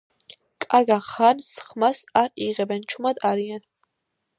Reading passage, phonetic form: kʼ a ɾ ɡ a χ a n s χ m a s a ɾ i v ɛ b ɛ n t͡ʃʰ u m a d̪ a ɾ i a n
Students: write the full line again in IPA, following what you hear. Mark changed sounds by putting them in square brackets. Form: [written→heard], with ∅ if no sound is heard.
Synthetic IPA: kʼ a ɾ ɡ a χ a n s χ m a s a ɾ i [v→ʁ] ɛ b ɛ n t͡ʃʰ u m a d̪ a ɾ i a n

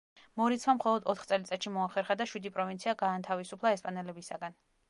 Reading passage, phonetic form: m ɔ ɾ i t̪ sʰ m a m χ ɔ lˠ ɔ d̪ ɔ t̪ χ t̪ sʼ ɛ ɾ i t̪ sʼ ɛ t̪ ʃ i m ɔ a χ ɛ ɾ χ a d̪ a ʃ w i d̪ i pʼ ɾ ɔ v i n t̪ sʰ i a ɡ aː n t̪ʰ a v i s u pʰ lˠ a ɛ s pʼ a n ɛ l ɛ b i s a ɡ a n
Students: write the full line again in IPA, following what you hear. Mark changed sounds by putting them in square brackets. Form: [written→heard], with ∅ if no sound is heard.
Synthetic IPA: m ɔ ɾ i t̪ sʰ m a m χ ɔ lˠ ɔ d̪ ɔ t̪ χ t̪ sʼ ɛ [ɾ→l] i t̪ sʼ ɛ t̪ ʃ i m ɔ a χ ɛ ɾ χ a d̪ a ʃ w i d̪ i pʼ ɾ ɔ v i n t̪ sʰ i a ɡ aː n t̪ʰ a v i s u pʰ lˠ a ɛ s pʼ a n ɛ l ɛ b i s a ɡ a n

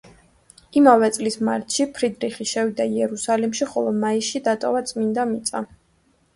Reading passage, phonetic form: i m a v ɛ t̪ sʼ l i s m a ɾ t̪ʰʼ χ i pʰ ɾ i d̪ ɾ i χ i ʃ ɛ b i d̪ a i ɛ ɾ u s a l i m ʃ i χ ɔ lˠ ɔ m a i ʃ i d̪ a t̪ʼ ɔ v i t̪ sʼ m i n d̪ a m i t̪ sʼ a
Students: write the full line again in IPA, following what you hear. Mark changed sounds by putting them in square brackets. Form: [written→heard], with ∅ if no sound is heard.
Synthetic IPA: i m a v ɛ t̪ sʼ l i s m a ɾ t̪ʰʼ [χ→ʃ] i pʰ ɾ i d̪ ɾ i χ i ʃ ɛ [b→v] i d̪ a i ɛ ɾ u s a l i m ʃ i χ ɔ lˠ ɔ m a i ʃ i d̪ a t̪ʼ ɔ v [i→a] t̪ sʼ m i n d̪ a m i t̪ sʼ a

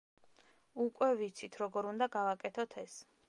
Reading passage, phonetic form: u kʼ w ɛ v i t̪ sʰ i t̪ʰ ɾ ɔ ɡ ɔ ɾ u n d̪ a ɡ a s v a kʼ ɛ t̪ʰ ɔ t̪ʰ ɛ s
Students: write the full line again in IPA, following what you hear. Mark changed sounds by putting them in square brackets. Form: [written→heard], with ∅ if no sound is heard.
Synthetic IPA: u kʼ w ɛ v i t̪ sʰ i t̪ʰ ɾ ɔ ɡ ɔ ɾ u n d̪ a ɡ a [s→∅] v a kʼ ɛ t̪ʰ ɔ t̪ʰ ɛ s

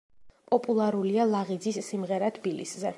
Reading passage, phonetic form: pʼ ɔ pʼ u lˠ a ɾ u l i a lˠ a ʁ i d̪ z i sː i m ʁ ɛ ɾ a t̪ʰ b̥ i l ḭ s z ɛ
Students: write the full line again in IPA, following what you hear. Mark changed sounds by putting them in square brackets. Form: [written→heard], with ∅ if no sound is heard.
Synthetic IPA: pʼ ɔ pʼ u lˠ a ɾ u l i a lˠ a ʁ i d̪ z i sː i m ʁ ɛ ɾ a t̪ʰ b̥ i l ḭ s z ɛ

